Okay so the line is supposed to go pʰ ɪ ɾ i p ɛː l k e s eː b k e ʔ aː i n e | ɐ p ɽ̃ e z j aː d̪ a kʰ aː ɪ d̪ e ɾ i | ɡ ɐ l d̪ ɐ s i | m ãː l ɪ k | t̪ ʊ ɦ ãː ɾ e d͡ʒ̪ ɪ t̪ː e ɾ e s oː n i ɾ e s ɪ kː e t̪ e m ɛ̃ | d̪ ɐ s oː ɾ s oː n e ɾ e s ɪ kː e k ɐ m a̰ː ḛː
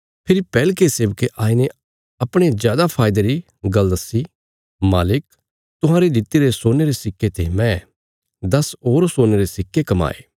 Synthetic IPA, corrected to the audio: pʰ ɪ ɾ i p ɛː l k e s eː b k e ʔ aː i n e | ɐ p ɽ̃ e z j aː d̪ a pʰ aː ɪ d̪ e ɾ i | ɡ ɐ l d̪ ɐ s i | m aː l ɪ k | t̪ ʊ ɦ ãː ɾ e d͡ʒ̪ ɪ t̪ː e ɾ e s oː n e ɾ e s ɪ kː e t̪ e m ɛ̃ | d̪ ɐ s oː ɾ s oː n e ɾ e s ɪ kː e k ɐ m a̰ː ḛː

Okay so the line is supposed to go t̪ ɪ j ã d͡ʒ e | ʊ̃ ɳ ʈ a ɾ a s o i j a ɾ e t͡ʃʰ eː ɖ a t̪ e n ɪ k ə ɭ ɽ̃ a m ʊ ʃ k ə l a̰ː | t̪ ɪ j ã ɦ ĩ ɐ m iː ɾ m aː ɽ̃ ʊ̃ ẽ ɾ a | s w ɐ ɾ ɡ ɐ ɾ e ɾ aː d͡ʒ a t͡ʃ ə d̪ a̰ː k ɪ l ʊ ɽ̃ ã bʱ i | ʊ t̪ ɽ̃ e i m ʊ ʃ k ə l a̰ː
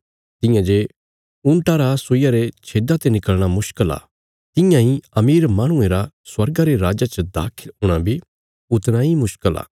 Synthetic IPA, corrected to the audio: t̪ ɪ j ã d͡ʒ e | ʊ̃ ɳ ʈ a ɾ a s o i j a ɾ e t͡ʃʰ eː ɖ a t̪ e n ɪ k ə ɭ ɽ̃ a m ʊ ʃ k ə l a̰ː | t̪ ɪ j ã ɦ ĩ ɐ m iː ɾ m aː ɽ̃ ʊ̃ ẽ ɾ a | s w ɐ ɾ ɡ a ɾ e ɾ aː d͡ʒ a t͡ʃ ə d̪ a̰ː kʰ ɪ l ʊ ɽ̃ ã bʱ i | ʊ t̪ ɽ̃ a i m ʊ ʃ k ə l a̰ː

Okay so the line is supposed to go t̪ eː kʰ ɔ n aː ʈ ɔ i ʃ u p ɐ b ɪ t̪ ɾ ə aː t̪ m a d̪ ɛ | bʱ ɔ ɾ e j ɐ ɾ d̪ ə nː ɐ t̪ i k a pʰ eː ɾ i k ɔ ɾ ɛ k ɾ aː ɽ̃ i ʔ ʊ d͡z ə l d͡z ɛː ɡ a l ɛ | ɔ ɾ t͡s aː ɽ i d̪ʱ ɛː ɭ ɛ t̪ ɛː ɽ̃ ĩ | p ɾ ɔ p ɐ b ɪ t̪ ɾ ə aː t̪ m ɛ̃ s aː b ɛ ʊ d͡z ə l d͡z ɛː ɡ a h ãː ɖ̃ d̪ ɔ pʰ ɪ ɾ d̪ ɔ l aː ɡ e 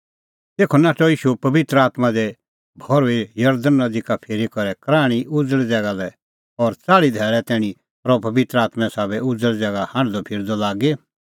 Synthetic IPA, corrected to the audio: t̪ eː kʰ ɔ n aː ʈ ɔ iː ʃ u p ɐ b ɪ t̪ ɾ ə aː t̪ m a d̪ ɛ | bʱ ɔ ɾ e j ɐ ɾ d̪ ə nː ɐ d̪ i k a pʰ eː ɾ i k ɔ ɾ ɛ k ɾ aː ɽ̃ i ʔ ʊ d͡z ə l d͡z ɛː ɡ a l ɛ | ɔ ɾ t͡s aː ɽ i d̪ʱ ɛː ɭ ɛ t̪ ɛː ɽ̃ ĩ | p ɾ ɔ p ɐ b ɪ t̪ ɾ ə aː t̪ m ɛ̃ s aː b ɛ ʊ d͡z ə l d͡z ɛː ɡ a h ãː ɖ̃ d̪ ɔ pʰ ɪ ɾ d̪ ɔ l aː ɡ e

